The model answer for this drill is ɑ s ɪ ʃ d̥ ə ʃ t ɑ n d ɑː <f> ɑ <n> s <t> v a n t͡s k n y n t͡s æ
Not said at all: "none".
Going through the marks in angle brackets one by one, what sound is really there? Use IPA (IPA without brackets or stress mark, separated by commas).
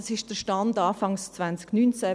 f, ŋ, t͡s